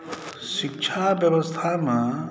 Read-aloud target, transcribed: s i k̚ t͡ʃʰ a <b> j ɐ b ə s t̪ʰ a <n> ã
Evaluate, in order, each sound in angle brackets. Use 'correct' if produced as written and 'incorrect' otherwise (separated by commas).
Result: correct, incorrect